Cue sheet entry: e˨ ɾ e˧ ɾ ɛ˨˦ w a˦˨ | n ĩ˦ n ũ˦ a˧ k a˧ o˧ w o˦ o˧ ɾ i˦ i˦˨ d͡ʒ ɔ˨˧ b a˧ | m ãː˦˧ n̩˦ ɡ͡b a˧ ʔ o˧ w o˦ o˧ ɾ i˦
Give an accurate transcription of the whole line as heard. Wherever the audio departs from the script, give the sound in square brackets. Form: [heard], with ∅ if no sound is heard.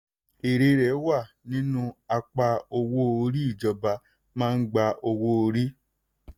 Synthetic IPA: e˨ ɾ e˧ ɾ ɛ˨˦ w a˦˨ | n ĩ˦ n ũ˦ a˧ [k͡p] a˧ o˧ w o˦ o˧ ɾ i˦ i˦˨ d͡ʒ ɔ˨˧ b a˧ | m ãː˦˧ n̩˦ ɡ͡b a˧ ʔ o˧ w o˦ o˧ ɾ i˦